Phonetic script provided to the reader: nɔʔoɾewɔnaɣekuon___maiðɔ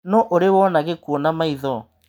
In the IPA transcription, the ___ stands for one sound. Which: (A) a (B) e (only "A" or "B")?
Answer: A